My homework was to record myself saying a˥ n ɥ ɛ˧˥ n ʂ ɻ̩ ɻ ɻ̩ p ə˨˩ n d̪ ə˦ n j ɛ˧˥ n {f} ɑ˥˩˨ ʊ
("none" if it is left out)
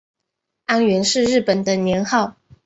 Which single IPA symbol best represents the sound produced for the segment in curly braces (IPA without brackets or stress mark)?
x